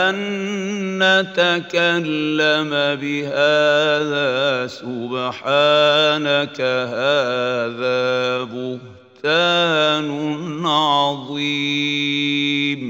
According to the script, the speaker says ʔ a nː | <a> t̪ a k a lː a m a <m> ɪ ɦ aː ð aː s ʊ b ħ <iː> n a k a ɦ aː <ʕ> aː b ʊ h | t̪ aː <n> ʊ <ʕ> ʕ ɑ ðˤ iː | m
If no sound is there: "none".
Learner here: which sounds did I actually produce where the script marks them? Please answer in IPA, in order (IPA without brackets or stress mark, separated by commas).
a, b, aː, ð, n, ʕ